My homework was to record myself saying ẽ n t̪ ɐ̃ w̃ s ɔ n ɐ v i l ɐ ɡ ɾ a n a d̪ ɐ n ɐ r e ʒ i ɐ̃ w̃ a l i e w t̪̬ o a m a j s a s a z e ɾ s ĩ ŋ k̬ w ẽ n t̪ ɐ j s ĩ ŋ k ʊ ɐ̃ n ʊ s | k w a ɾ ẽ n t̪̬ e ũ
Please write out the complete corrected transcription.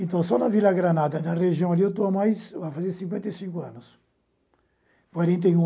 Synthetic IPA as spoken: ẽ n t̪ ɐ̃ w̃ s ɔ n ɐ v i l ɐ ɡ ɾ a n a d̪ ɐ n ɐ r e ʒ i ɐ̃ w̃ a l i e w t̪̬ o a m a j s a f a z e ɾ s ĩ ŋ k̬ w ẽ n t̪ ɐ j s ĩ ŋ k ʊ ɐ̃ n ʊ s | k w a ɾ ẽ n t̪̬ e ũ